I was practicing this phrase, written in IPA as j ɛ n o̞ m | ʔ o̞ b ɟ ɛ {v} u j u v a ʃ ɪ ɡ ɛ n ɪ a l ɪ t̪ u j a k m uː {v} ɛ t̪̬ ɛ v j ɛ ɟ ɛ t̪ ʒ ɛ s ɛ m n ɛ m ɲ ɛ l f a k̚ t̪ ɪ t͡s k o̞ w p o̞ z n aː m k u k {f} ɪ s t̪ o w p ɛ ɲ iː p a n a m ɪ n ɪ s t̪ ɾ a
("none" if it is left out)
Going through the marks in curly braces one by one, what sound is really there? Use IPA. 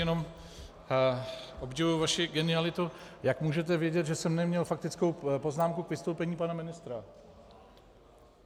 v, ʒ, v

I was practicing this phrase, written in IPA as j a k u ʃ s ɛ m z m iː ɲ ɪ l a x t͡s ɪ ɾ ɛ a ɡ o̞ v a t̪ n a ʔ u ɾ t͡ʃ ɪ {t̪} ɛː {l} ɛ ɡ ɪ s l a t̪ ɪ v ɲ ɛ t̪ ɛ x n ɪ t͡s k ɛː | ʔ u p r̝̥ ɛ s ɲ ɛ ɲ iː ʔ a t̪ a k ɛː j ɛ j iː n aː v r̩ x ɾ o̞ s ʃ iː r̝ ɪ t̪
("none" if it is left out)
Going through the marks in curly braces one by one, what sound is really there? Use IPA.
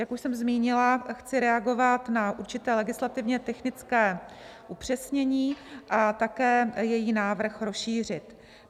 t̪, l

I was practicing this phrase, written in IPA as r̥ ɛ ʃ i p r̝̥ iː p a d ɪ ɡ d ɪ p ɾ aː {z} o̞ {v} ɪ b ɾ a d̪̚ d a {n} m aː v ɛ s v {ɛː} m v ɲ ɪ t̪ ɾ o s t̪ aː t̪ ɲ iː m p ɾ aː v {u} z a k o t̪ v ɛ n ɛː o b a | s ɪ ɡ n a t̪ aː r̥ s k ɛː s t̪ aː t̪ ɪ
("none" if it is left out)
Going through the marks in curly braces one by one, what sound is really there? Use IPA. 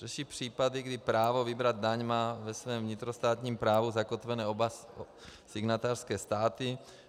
v, v, ɲ, ɛː, u

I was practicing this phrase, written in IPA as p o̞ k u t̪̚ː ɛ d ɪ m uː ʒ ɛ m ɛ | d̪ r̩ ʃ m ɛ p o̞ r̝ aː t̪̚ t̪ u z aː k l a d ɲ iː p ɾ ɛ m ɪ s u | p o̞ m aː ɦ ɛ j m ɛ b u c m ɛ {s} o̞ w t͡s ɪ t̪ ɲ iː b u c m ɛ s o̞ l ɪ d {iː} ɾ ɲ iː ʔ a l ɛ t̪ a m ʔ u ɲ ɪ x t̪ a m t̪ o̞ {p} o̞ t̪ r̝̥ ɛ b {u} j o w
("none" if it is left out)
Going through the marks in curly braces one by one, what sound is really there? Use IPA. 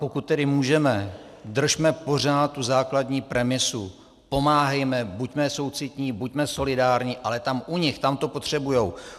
s, aː, p, u

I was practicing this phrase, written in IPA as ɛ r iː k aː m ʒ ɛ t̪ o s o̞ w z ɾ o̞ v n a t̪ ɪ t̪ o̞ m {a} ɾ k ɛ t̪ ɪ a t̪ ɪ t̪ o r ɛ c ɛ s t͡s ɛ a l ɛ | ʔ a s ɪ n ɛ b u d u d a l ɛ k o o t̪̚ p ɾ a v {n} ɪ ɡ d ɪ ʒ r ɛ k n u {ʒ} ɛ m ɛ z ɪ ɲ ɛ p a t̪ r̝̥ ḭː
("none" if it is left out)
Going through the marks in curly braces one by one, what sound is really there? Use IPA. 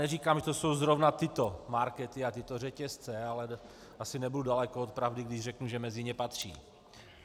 a, d, ʒ

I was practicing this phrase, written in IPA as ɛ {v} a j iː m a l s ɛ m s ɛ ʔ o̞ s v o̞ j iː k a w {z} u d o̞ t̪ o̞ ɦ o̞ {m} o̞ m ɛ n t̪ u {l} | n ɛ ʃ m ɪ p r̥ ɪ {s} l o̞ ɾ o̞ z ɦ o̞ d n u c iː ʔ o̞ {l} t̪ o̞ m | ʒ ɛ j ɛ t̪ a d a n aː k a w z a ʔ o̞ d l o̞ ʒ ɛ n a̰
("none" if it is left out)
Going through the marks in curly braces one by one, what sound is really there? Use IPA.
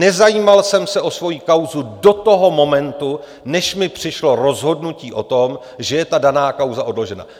z, z, m, none, ʃ, none

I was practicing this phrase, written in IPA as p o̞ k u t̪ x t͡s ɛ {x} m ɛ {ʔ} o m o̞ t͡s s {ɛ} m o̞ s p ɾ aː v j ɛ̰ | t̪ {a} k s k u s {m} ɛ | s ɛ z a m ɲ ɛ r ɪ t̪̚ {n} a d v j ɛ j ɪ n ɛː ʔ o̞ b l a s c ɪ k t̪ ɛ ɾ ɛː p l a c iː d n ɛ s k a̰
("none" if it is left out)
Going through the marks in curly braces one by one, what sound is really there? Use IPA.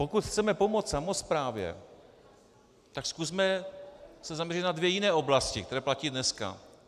none, p, a, a, m, n

